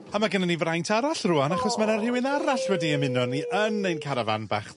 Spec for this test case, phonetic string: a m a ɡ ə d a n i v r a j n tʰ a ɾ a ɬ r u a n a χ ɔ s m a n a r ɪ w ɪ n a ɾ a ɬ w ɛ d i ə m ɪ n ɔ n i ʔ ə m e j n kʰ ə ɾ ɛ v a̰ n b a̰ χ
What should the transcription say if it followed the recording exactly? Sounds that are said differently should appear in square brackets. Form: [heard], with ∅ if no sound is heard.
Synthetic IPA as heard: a m a ɡ ə [n] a n i v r a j n tʰ a ɾ a ɬ r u a n a χ ɔ s m a n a r ɪ w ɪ n a ɾ a ɬ w ɛ d i ə m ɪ n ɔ n i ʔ ə [n] e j n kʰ [a] ɾ [a] v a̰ n b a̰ χ